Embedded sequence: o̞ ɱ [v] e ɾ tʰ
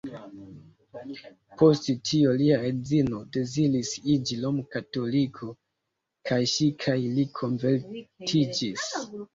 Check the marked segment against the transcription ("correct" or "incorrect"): correct